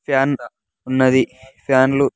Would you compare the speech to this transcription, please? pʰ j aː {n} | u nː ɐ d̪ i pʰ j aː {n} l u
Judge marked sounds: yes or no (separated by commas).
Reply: yes, yes